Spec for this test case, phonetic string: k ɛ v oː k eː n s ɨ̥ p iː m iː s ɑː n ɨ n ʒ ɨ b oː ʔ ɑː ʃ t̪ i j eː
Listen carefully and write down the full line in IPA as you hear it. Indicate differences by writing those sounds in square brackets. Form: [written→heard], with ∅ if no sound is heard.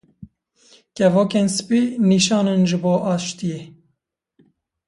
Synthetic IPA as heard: k ɛ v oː k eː n s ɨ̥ p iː [m→n] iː [s→ʃ] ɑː n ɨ n ʒ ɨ b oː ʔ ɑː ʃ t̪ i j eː